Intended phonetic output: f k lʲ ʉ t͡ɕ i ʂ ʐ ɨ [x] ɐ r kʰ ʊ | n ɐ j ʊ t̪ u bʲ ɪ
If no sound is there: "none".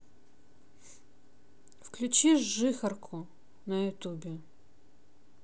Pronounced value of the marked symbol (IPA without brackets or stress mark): x